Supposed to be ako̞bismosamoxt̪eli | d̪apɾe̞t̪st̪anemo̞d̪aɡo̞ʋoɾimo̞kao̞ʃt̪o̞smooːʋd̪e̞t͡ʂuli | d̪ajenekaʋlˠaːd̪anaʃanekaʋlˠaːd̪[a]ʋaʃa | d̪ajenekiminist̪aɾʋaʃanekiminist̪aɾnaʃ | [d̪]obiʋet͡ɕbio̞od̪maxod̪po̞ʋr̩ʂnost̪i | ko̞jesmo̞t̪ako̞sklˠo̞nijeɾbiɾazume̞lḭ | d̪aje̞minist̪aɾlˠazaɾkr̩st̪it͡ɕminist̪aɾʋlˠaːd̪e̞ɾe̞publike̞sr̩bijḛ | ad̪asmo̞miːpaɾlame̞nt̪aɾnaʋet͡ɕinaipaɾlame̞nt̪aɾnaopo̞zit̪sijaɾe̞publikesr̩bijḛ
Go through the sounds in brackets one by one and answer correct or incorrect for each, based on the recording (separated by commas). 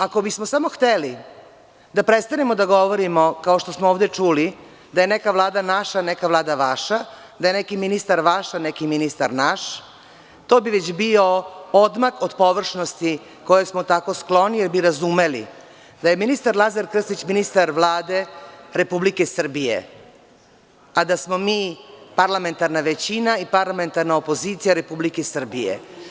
correct, incorrect